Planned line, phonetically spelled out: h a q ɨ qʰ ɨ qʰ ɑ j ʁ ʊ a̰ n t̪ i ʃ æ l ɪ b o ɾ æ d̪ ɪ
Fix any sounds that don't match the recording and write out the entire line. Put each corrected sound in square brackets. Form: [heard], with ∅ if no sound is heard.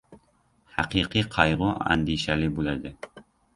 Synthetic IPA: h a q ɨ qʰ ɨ qʰ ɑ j ʁ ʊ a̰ n [d̪] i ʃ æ l ɪ b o [l] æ d̪ ɪ